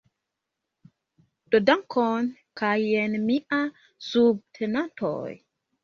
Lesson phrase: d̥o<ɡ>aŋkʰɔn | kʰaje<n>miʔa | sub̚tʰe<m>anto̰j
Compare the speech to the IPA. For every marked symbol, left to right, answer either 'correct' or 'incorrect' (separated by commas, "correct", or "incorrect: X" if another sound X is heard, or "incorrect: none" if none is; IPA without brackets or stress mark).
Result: incorrect: d, correct, incorrect: n